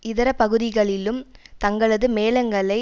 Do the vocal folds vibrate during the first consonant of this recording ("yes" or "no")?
yes